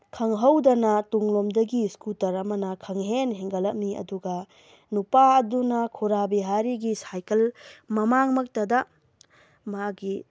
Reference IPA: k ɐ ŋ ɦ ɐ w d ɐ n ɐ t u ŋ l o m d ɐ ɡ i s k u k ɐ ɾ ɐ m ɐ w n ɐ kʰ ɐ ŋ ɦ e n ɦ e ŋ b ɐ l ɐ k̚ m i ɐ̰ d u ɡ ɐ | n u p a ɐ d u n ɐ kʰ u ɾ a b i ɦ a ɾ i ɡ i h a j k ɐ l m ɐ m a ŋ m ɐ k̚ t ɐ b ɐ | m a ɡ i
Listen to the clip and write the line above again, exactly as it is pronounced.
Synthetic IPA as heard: kʰ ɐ ŋ ɦ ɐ w d ɐ n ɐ t u ŋ l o m d ɐ ɡ i s k u t ɐ ɾ ɐ m ɐ n ɐ kʰ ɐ ŋ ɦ e n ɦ e ŋ ɡ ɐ l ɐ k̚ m i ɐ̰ d u ɡ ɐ | n u p a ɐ d u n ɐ kʰ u ɾ a b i ɦ a ɾ i ɡ i s a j k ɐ l m ɐ m a ŋ m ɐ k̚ t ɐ d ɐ | m a ɡ i